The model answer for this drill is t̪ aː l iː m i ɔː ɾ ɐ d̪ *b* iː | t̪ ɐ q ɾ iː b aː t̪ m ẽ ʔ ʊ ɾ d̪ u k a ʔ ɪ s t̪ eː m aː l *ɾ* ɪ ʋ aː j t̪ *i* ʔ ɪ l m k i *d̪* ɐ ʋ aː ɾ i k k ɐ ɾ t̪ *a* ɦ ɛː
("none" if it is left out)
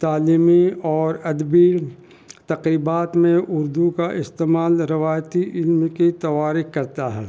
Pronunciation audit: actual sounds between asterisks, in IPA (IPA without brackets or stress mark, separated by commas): b, ɾ, i, t̪, a